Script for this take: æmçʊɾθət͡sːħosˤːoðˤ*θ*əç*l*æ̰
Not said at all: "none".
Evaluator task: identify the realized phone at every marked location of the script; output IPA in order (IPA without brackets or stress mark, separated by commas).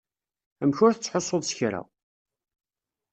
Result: s, ɾ